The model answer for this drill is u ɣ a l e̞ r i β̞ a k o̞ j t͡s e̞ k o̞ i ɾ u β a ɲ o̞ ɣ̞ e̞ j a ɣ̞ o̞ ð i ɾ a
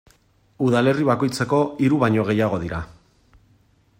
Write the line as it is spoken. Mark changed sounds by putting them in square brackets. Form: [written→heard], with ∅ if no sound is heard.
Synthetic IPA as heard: u [ɣ→ð] a l e̞ r i β̞ a k o̞ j t͡s e̞ k o̞ i ɾ u β a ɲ o̞ ɣ̞ e̞ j a ɣ̞ o̞ ð i ɾ a